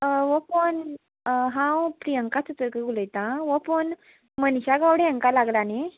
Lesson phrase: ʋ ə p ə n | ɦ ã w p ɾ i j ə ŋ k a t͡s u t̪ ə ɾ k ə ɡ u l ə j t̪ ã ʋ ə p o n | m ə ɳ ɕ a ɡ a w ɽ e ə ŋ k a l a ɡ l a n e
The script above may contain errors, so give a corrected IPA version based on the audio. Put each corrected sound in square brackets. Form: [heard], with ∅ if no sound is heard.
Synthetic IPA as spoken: ʋ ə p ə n | ɦ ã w p ɾ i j ə ŋ k a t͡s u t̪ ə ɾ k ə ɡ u l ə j t̪ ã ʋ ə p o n | m ə [n] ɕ a ɡ a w ɽ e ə ŋ k a l a ɡ l a n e